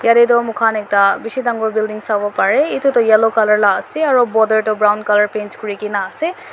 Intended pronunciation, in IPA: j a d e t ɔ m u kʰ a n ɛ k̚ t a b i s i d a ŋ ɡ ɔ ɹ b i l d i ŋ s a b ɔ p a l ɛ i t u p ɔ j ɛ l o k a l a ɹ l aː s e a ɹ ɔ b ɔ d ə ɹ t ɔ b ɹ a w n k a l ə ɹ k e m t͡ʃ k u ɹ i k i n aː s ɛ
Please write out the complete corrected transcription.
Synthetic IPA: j a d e t ɔ m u kʰ a n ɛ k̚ t a b i s i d a ŋ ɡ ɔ ɹ b i l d i ŋ s a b ɔ p a ɹ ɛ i t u t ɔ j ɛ l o k a l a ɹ l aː s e a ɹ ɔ b ɔ d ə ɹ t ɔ b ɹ a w n k a l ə ɹ p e n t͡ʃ k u ɹ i k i n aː s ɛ